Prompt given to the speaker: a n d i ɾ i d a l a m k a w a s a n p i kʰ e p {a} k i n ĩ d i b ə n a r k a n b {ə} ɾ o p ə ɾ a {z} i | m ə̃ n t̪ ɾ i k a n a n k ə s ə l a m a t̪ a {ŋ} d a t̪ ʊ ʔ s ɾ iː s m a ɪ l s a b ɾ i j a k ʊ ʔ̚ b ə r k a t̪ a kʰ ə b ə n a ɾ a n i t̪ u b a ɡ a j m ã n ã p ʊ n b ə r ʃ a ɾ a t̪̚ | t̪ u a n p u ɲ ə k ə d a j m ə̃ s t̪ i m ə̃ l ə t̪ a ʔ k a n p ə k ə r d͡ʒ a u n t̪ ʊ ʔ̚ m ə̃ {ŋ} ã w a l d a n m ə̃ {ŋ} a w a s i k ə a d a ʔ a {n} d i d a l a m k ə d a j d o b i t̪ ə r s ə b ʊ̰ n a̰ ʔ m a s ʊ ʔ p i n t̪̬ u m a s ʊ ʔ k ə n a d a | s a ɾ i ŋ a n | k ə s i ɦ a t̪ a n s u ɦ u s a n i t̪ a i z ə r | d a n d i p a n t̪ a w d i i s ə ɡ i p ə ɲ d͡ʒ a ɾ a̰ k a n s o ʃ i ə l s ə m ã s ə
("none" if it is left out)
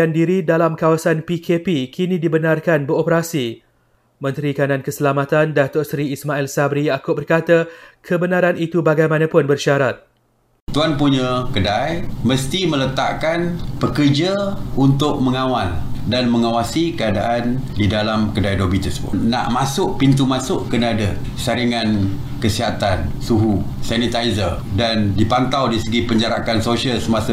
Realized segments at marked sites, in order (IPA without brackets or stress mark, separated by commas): i, ə, s, n, ŋ, ŋ, n